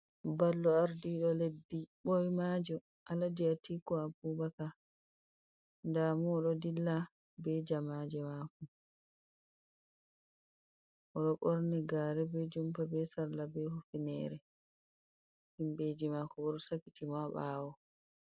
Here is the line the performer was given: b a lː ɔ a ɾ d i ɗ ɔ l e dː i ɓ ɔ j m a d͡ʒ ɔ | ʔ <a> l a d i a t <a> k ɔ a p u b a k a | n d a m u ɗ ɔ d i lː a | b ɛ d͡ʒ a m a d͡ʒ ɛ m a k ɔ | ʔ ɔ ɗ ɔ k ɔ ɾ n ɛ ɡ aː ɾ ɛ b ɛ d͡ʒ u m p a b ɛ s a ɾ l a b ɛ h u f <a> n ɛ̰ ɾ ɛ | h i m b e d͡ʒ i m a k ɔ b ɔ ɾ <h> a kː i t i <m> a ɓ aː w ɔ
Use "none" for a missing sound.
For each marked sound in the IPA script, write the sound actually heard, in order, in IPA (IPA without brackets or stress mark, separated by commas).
a, i, i, s, m